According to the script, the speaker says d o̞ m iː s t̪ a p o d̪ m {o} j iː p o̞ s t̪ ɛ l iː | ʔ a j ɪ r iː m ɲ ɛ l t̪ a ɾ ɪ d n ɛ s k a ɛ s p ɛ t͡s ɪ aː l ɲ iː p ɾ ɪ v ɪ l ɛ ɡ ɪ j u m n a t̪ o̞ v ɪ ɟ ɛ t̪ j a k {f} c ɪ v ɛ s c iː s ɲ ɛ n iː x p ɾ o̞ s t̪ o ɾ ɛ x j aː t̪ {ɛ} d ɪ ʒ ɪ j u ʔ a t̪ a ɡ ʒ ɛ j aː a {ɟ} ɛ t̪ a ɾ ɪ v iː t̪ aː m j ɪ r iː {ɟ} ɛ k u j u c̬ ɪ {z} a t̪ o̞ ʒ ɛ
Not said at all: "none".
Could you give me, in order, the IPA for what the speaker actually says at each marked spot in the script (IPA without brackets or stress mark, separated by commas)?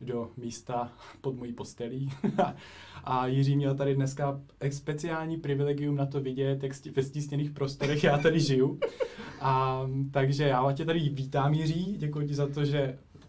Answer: o, s, a, c, ɟ, z